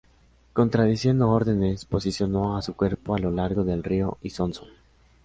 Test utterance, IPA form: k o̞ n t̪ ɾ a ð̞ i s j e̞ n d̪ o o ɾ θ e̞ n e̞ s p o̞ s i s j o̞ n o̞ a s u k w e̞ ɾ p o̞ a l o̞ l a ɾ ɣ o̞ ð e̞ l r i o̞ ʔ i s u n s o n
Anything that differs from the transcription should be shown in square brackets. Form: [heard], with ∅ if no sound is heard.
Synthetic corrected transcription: k o̞ n t̪ ɾ a ð̞ i s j e̞ n d̪ o o ɾ [ð] e̞ n e̞ s p o̞ s i s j o̞ n o̞ a s u k w e̞ ɾ p o̞ a l o̞ l a ɾ ɣ o̞ ð e̞ l r i o̞ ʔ i s [o] n s o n